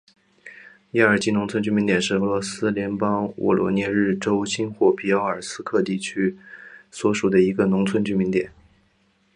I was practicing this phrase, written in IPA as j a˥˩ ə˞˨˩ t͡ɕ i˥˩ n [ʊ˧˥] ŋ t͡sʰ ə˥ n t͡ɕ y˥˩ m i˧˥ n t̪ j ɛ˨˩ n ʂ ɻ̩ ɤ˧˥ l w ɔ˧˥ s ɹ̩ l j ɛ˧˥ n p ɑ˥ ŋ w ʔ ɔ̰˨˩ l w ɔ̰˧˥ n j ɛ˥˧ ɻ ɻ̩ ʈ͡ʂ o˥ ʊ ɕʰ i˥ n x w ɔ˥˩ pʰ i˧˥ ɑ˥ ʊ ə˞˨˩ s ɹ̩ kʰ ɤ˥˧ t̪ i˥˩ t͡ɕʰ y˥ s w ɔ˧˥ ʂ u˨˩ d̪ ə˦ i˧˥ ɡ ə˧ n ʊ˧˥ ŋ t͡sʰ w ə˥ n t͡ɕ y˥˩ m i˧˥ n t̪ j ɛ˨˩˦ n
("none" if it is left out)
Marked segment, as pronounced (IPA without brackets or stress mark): ʊ˧˥